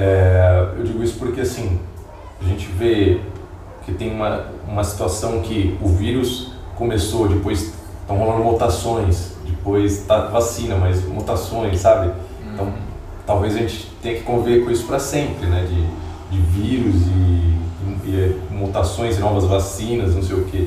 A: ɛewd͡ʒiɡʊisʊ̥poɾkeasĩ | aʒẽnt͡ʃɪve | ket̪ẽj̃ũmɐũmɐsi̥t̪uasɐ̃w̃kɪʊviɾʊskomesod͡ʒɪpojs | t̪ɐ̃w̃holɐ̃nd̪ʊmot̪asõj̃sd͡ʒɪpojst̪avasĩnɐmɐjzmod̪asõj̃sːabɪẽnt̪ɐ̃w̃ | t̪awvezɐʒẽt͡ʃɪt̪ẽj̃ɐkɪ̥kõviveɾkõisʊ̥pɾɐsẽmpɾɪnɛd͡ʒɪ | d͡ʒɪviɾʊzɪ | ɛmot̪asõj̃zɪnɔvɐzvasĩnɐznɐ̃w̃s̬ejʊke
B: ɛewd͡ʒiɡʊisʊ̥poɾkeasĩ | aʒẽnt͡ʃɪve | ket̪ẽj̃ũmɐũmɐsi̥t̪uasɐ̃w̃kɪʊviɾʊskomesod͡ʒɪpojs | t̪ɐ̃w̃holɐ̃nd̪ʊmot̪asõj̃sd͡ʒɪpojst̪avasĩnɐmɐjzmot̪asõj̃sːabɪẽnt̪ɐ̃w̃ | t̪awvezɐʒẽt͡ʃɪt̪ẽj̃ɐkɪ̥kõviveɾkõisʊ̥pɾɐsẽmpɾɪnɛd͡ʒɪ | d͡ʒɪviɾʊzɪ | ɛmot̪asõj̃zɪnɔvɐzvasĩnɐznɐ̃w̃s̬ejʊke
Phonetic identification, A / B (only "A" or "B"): B